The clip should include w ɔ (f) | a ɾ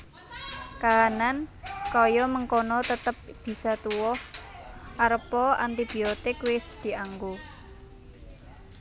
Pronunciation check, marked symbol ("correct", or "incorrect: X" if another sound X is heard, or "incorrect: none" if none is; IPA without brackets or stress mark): incorrect: h